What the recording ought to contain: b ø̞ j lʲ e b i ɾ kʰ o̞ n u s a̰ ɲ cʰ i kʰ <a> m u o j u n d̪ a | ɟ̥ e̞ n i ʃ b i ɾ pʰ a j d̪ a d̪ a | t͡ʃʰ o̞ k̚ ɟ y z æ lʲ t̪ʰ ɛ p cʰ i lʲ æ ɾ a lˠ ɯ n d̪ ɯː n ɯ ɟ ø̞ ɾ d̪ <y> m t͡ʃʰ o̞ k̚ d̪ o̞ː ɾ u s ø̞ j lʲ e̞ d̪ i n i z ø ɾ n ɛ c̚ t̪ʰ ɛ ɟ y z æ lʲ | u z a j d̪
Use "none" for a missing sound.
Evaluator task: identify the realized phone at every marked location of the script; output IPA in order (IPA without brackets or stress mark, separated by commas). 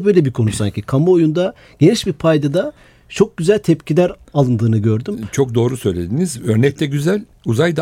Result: a, y